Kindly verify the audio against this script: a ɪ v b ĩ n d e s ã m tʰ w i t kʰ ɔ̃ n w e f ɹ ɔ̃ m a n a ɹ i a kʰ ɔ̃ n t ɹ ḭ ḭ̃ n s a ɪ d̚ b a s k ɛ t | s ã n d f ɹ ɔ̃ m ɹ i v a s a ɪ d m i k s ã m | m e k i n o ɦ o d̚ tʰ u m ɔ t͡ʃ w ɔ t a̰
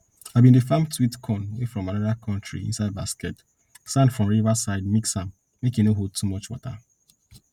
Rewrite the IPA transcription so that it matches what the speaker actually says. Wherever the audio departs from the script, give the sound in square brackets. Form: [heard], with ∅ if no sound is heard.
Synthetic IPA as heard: a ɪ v b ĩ n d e [f] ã m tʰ w i t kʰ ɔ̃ n w e f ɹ ɔ̃ m a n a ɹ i a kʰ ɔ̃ n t ɹ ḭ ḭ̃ n s a ɪ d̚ b a s k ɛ t | s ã n d f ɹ ɔ̃ m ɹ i v a s a ɪ d m i k s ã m | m e k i n o ɦ o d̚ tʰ u m ɔ t͡ʃ w ɔ t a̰